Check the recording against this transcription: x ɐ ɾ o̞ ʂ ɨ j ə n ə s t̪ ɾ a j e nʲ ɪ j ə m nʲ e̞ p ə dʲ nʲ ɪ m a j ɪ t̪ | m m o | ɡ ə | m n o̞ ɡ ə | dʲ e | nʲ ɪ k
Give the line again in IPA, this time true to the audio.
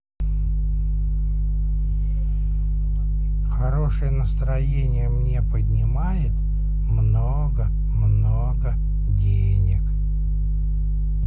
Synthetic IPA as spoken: x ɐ ɾ o̞ ʂ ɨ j ə n ə s t̪ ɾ ɐ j e nʲ ɪ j ə m nʲ e̞ p ə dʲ nʲ ɪ m a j ɪ t̪ | m n o | ɡ ə | m n o̞ ɡ ə | dʲ e | nʲ ɪ k